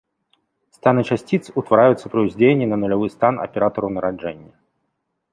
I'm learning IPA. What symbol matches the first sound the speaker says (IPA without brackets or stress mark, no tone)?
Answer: s